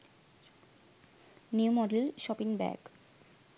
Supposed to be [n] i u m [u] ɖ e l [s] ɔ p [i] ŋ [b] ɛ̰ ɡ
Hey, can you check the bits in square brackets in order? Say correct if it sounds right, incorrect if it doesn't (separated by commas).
correct, incorrect, incorrect, correct, correct